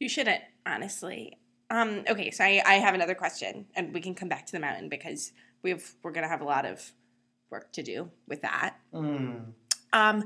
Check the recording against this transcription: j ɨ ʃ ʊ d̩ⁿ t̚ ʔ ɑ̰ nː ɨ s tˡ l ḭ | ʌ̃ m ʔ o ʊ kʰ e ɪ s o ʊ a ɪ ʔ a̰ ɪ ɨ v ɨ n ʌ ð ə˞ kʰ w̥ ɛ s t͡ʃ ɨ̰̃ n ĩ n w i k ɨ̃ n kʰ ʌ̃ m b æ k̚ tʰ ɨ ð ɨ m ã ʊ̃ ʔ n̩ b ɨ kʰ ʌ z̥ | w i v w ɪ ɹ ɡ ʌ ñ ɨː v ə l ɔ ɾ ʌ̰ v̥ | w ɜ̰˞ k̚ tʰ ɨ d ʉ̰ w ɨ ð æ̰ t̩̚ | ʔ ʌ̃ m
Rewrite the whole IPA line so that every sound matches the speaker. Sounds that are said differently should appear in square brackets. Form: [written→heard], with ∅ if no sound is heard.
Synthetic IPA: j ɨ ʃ ʊ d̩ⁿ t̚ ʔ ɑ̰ [nː→n] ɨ s tˡ l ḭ | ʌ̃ m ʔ o ʊ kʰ e ɪ s o ʊ a ɪ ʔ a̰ ɪ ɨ v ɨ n ʌ ð ə˞ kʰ w̥ ɛ s t͡ʃ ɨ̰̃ n [ĩ→ɨ̃] n w i k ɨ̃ n kʰ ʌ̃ m b æ k̚ tʰ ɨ ð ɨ m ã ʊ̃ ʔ n̩ b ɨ kʰ ʌ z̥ | w i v w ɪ ɹ ɡ ʌ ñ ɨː v ə l ɔ ɾ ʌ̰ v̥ | w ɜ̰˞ k̚ tʰ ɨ d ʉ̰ w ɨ ð æ̰ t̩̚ | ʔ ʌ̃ m